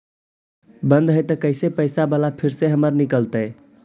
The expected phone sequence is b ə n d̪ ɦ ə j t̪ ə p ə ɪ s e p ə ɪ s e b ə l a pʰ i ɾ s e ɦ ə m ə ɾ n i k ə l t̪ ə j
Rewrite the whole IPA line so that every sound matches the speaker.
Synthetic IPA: b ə n d̪ ɦ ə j t̪ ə k ə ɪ s e p ə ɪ s a b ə l a pʰ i ɾ s e ɦ ə m ə ɾ n i k ə l t̪ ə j